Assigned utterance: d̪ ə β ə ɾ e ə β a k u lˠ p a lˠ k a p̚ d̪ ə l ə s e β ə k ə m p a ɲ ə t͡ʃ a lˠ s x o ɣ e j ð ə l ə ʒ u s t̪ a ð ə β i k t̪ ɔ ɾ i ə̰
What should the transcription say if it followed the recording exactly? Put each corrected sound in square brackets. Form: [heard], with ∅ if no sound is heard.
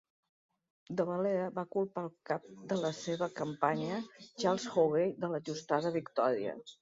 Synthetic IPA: d̪ ə β ə [l] e ə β a k u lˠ p a lˠ k a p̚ d̪ ə l ə s e β ə k ə m p a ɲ ə t͡ʃ a lˠ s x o ɣ e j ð ə l ə ʒ u s t̪ a ð ə β i k t̪ ɔ ɾ i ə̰